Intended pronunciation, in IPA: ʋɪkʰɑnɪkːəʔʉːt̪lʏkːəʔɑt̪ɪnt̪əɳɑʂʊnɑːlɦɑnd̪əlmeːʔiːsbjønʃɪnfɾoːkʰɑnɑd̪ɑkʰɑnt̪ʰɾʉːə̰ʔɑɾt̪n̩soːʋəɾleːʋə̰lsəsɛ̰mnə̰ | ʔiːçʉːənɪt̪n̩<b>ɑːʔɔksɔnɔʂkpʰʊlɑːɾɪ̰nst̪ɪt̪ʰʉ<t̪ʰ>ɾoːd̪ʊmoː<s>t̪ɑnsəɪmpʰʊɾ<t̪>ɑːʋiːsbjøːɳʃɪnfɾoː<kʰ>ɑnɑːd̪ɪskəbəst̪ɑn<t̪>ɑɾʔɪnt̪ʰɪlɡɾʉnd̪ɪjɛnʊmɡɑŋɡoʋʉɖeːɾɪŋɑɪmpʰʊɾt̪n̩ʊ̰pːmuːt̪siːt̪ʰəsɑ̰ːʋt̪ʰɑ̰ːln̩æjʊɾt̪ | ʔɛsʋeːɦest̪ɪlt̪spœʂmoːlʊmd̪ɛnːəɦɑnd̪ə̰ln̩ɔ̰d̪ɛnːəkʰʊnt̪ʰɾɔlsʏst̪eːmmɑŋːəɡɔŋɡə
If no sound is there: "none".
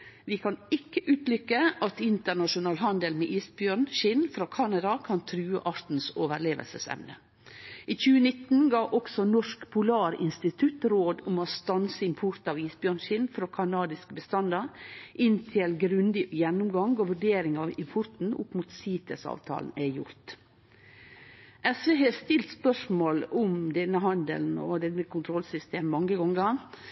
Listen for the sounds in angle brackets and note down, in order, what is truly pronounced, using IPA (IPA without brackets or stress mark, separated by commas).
ɡ, t̪, s, t̪, kʰ, d̪